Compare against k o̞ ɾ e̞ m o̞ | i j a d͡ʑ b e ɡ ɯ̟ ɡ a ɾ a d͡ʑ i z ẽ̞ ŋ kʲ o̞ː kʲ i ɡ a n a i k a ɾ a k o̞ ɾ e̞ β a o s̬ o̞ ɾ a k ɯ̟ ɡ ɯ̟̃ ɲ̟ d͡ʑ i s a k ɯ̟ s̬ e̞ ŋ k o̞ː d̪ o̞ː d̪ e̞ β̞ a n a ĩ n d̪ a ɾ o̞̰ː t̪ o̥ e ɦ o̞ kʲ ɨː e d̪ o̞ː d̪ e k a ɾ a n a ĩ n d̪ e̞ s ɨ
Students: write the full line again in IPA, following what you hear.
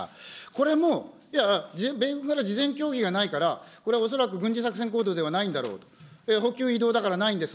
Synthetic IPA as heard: k o̞ ɾ e̞ m o̞ | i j a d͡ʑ b e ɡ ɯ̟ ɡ a ɾ a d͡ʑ i z ẽ̞ ŋ kʲ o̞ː ɡʲ i ɡ a n a i k a ɾ a k o̞ ɾ e̞ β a o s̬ o̞ ɾ a k ɯ̟ ɡ ɯ̟̃ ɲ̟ d͡ʑ i s a k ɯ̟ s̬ e̞ ŋ k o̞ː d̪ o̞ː d̪ e̞ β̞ a n a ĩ n d̪ a ɾ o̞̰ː t̪ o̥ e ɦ o̞ kʲ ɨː i d̪ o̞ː d̪ a k a ɾ a n a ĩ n d̪ e̞ s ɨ